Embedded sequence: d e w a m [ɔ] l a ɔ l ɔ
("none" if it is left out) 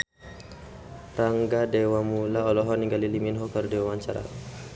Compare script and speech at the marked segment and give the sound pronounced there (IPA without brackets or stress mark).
u